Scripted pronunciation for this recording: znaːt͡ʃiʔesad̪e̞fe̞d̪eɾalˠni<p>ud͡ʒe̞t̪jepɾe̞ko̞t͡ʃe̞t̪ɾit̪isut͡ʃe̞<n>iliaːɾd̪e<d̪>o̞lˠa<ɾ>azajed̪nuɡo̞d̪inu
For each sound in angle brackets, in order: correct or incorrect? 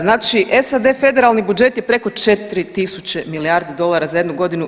incorrect: b, incorrect: m, correct, correct

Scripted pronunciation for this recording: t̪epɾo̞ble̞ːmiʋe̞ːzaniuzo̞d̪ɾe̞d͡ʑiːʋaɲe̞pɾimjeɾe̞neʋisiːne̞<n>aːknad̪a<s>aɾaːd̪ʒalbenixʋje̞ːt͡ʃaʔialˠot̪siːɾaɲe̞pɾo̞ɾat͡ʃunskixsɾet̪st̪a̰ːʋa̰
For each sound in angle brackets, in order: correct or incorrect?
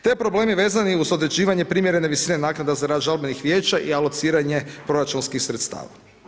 correct, incorrect: z

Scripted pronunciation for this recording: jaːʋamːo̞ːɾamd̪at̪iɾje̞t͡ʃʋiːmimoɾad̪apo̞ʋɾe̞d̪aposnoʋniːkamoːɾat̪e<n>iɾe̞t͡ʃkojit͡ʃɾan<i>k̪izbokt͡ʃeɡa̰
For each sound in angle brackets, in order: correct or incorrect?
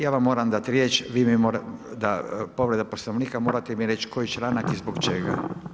incorrect: m, incorrect: a

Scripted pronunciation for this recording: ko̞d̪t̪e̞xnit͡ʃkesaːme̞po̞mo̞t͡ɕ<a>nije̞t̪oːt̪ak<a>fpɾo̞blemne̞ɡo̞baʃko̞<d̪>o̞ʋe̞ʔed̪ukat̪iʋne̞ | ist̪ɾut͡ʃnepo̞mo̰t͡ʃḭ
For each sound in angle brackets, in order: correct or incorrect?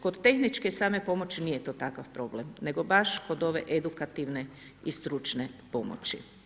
incorrect: i, correct, correct

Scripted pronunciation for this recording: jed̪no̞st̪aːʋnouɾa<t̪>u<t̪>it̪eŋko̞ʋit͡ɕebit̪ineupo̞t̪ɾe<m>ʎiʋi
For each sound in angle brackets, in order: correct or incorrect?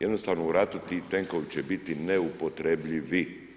correct, correct, incorrect: b

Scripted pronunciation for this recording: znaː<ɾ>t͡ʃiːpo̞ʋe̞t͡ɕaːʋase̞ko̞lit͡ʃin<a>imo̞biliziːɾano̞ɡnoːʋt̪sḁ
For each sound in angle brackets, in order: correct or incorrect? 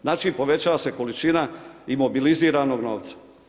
incorrect: none, correct

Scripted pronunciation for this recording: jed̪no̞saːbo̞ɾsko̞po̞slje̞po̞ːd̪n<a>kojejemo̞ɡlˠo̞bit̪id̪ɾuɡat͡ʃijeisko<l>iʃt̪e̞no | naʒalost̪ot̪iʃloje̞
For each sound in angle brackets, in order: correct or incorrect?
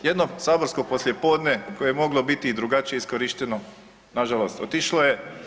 incorrect: e, incorrect: ɾ

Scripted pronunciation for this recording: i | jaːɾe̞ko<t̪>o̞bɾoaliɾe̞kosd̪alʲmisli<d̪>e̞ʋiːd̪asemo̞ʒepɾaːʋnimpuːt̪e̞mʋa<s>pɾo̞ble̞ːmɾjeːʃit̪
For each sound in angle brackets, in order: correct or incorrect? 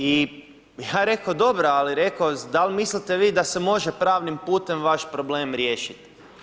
incorrect: d̪, incorrect: t̪, incorrect: ʃ

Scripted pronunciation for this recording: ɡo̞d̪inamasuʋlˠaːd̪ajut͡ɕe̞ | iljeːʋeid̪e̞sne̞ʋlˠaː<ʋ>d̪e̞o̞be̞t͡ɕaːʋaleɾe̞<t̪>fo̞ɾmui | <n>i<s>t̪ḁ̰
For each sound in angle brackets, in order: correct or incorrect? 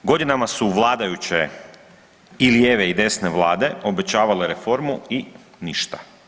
incorrect: none, incorrect: none, correct, incorrect: ʃ

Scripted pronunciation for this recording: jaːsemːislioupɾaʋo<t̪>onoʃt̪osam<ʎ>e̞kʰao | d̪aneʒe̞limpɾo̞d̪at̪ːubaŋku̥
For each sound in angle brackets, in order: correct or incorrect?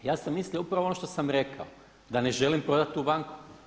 incorrect: none, incorrect: ɾ

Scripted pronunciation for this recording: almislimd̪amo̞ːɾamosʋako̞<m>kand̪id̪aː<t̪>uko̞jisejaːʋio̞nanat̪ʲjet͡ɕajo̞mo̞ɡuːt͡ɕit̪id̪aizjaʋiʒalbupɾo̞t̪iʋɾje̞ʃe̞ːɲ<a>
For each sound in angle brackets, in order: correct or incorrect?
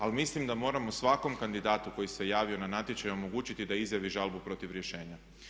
correct, correct, correct

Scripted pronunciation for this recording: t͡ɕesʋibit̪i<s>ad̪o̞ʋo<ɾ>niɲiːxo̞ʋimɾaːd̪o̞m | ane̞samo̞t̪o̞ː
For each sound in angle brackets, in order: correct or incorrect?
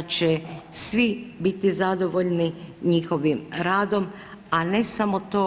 incorrect: z, incorrect: ʎ

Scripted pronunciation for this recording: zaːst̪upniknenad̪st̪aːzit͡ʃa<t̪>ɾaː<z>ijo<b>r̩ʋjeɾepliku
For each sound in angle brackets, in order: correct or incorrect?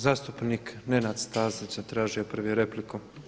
correct, incorrect: ʒ, incorrect: p

